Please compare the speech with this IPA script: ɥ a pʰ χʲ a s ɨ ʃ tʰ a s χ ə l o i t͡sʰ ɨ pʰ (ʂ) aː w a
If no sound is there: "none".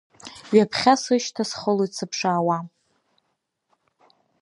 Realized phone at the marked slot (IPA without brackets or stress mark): ʂ